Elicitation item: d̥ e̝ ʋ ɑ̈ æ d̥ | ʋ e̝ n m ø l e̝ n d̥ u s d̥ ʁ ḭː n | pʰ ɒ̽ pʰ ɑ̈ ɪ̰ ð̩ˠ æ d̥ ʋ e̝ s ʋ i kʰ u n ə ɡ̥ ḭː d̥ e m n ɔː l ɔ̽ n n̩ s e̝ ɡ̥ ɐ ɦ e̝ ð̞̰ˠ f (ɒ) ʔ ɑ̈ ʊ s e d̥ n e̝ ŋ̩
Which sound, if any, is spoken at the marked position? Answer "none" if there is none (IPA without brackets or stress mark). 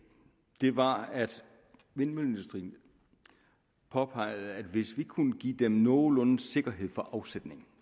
ɒ